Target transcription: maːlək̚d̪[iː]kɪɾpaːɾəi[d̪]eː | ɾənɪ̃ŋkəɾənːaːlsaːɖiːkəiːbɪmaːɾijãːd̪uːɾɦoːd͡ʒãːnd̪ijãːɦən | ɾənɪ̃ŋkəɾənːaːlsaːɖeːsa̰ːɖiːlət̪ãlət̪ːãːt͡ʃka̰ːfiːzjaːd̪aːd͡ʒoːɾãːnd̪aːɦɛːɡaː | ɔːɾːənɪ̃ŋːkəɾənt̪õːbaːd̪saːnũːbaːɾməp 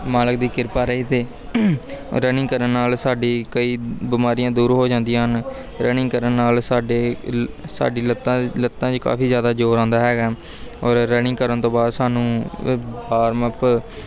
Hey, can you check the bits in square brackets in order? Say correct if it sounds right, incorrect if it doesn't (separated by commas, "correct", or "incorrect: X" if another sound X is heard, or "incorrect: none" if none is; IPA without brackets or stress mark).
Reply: correct, incorrect: t̪